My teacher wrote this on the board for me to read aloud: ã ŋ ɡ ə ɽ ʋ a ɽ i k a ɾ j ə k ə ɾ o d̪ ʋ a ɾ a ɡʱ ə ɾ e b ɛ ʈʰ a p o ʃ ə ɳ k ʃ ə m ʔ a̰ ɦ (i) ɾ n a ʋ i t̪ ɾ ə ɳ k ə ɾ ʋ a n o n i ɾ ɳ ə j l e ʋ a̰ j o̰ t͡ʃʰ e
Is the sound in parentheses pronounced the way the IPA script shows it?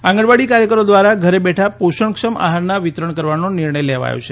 no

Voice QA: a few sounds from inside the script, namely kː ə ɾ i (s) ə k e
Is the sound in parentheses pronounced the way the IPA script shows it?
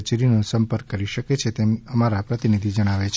no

